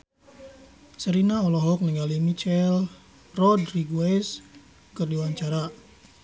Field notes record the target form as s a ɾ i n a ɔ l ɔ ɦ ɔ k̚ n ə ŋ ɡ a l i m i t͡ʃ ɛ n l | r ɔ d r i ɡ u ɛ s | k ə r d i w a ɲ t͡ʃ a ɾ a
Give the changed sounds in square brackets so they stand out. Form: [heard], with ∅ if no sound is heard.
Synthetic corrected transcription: s [ə] ɾ i n a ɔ l ɔ ɦ ɔ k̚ n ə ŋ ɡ a l i m i t͡ʃ ɛ [∅] l | r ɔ d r i ɡ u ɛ s | k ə r d i w a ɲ t͡ʃ a ɾ a